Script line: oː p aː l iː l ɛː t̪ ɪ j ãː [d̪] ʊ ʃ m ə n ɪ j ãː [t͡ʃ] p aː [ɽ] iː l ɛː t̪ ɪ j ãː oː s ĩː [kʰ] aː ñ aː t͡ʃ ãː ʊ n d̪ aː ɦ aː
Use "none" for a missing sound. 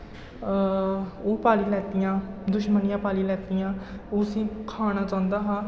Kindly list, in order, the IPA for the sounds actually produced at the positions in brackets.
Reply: d̪, none, l, kʰ

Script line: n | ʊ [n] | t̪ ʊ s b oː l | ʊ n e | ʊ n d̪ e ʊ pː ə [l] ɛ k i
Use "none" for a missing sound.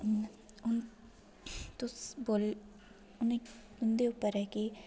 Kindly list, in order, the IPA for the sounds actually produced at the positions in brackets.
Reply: n, ɾ

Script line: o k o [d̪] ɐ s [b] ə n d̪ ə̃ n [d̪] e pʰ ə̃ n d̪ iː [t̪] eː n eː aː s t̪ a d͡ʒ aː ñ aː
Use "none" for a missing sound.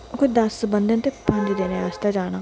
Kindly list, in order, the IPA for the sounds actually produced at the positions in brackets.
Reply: d̪, b, t̪, d̪

